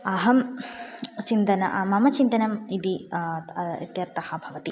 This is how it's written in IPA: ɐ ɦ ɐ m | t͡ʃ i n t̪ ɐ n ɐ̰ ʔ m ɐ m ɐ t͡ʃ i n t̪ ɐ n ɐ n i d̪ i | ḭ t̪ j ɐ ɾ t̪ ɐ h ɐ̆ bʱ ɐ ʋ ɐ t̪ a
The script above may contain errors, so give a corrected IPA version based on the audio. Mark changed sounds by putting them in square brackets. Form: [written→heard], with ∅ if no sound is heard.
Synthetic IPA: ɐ ɦ ɐ m | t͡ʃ i n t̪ ɐ n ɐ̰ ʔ m ɐ m ɐ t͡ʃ i n t̪ ɐ n ɐ [n→m] i d̪ i | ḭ t̪ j ɐ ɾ t̪ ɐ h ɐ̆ bʱ ɐ ʋ ɐ t̪ [a→i]

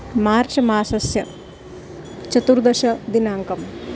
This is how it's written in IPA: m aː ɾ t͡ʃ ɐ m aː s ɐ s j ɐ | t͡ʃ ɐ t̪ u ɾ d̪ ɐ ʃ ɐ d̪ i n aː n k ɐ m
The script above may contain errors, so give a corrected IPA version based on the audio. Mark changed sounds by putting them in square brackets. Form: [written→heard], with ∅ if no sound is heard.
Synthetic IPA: m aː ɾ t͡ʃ ɐ m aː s ɐ s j ɐ | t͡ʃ ɐ t̪ u ɾ d̪ ɐ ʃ ɐ d̪ i n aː [n→ŋ] k ɐ m

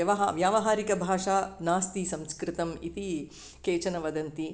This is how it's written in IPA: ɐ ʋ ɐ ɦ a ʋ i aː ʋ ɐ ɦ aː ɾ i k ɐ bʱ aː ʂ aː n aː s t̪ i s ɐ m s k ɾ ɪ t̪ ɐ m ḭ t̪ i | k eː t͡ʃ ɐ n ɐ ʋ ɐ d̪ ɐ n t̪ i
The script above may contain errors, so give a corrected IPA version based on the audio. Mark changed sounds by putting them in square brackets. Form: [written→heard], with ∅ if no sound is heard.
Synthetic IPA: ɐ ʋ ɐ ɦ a ʋ [i→j] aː ʋ ɐ ɦ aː ɾ i k ɐ bʱ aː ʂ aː n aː s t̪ i s ɐ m s k ɾ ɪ t̪ ɐ m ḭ t̪ i | k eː t͡ʃ ɐ n ɐ ʋ ɐ d̪ ɐ n t̪ i

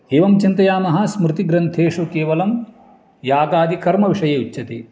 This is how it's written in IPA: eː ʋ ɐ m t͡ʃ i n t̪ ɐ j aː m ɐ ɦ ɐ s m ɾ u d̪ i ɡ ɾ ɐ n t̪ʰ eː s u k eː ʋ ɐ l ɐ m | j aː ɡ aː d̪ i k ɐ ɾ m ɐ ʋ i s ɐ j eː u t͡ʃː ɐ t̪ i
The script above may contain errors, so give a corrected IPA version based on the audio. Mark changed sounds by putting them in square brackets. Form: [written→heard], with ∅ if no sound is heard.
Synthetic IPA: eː ʋ ɐ m t͡ʃ i n t̪ ɐ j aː m ɐ ɦ ɐ s m ɾ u [d̪→t̪] i ɡ ɾ ɐ n t̪ʰ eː [s→ʂ] u k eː ʋ ɐ l ɐ m | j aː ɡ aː d̪ i k ɐ ɾ m ɐ ʋ i [s→ʂ] ɐ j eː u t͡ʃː ɐ t̪ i

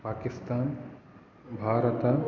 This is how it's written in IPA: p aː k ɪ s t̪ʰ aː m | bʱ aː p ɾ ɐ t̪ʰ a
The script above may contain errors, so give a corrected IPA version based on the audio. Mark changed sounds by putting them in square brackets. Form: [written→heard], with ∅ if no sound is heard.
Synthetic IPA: p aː k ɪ s [t̪ʰ→t̪] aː [m→n] | bʱ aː [p→∅] ɾ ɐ [t̪ʰ→t̪] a

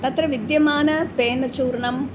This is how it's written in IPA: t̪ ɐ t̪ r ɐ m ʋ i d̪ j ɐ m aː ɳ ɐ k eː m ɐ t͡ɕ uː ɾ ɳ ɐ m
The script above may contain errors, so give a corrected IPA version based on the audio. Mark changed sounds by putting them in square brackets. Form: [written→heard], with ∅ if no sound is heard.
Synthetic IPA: t̪ ɐ t̪ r ɐ [m→∅] ʋ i d̪ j ɐ m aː [ɳ→n] ɐ [k→p] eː [m→n] ɐ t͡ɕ uː ɾ ɳ ɐ m

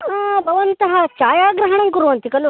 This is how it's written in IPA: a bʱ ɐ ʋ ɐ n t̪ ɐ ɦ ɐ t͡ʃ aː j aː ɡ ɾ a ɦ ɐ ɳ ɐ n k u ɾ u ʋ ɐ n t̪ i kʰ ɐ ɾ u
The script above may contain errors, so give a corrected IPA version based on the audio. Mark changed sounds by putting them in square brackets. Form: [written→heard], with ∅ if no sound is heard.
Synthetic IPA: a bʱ ɐ ʋ ɐ n t̪ ɐ ɦ ɐ t͡ʃ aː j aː ɡ ɾ [a→ɐ] ɦ ɐ ɳ ɐ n k u ɾ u ʋ ɐ n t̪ i [kʰ→k] ɐ [ɾ→l] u

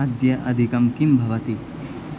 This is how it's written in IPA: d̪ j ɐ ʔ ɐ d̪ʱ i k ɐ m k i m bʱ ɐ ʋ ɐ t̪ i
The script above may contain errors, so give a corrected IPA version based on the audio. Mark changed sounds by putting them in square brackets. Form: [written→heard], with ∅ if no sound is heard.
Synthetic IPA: d̪ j ɐ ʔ ɐ d̪ʱ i k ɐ m k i m bʱ ɐ ʋ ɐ t̪ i

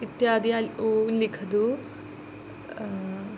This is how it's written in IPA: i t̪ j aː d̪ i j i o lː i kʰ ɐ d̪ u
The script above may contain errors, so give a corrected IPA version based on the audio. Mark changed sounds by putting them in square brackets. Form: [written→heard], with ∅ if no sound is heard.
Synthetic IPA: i t̪ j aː d̪ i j [i→a] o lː i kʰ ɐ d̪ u

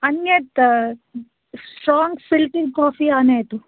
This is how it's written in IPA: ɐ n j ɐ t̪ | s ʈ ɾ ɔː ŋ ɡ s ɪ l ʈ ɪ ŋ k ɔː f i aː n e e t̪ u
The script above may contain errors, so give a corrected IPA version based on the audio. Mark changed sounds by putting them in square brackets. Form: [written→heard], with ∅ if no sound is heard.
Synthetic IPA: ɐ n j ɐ t̪ | s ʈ ɾ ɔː ŋ ɡ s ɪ l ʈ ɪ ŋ k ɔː f i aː n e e t̪ u

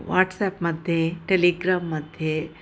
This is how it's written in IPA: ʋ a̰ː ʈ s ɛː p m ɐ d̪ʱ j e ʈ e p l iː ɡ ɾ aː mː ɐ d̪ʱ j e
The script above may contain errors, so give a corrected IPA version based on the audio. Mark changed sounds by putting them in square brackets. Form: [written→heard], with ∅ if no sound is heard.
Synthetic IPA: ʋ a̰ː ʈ s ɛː p m ɐ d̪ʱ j e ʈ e [p→∅] l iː ɡ ɾ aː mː ɐ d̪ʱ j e

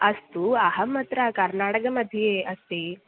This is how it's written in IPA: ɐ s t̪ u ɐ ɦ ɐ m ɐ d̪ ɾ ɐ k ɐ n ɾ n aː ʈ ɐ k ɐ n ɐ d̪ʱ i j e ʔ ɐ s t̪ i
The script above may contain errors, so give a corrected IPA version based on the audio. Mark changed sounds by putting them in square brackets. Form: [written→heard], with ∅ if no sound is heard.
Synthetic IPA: ɐ s t̪ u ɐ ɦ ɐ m ɐ [d̪→t̪] ɾ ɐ k ɐ [n→∅] ɾ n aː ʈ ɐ k ɐ [n→m] ɐ d̪ʱ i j e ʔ ɐ s t̪ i

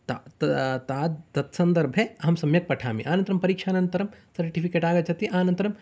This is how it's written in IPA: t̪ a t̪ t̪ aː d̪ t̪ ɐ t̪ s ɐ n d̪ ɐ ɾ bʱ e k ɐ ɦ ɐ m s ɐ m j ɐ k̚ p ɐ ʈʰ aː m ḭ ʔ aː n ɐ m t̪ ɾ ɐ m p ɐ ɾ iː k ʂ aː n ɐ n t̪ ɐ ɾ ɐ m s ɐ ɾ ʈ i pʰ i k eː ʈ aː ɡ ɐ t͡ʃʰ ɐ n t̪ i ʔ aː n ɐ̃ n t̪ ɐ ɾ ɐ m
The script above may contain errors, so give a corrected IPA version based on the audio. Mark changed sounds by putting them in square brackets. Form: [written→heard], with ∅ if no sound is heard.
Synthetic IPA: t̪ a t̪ t̪ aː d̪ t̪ ɐ t̪ s ɐ n d̪ ɐ ɾ bʱ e [k→∅] ɐ ɦ ɐ m s ɐ m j ɐ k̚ p ɐ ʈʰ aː m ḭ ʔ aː n ɐ [m→n] t̪ ɾ ɐ m p ɐ ɾ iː k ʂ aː n ɐ n t̪ ɐ ɾ ɐ m s ɐ ɾ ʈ i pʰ i k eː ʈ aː ɡ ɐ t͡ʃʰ ɐ [n→∅] t̪ i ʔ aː n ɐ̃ n t̪ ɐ ɾ ɐ m

